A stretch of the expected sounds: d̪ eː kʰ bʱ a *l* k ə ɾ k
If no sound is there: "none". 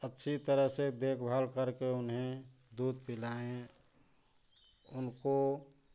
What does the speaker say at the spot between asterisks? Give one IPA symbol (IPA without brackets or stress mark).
l